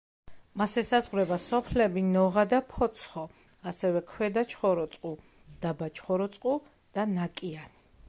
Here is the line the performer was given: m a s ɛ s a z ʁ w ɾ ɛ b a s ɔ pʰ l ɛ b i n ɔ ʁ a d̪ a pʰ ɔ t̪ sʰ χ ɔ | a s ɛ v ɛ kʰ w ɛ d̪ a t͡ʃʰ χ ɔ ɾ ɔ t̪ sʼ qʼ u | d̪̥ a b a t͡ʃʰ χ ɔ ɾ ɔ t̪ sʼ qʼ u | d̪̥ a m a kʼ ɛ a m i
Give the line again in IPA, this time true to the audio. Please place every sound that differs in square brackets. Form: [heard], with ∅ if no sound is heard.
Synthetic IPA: m a s ɛ s a z ʁ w ɾ ɛ b a s ɔ pʰ l ɛ b i n ɔ ʁ a d̪ a pʰ ɔ t̪ sʰ χ ɔ | a s ɛ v ɛ kʰ w ɛ d̪ a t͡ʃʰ χ ɔ ɾ ɔ t̪ sʼ qʼ u | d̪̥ a b a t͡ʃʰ χ ɔ ɾ ɔ t̪ sʼ qʼ u | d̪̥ a [n] a kʼ [i] a [n] i

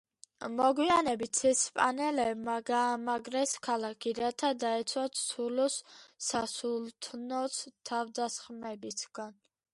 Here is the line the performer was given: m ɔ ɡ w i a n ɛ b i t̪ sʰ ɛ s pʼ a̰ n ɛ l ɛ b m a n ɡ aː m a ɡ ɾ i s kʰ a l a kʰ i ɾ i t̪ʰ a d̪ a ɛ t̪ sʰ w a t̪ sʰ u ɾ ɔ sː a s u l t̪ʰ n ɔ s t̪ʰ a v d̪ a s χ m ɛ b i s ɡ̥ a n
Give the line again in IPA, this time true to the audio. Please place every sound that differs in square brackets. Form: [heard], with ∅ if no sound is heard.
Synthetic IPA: m ɔ ɡ w i a n ɛ b i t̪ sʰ ɛ s pʼ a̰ n ɛ l ɛ b m a [∅] ɡ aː m a ɡ ɾ [ɛ] s kʰ a l a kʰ i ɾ [a] t̪ʰ a d̪ a ɛ t̪ sʰ w a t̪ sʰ u [l] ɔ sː a s u l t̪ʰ n ɔ s t̪ʰ a v d̪ a s χ m ɛ b i s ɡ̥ a n

